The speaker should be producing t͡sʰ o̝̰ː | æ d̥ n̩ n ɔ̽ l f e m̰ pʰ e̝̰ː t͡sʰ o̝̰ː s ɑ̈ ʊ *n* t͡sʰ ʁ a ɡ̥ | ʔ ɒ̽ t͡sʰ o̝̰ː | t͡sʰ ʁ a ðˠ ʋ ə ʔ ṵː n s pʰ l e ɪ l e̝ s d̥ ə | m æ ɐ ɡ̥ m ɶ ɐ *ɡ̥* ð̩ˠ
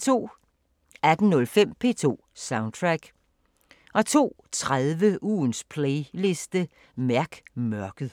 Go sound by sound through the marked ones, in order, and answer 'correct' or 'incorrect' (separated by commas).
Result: correct, correct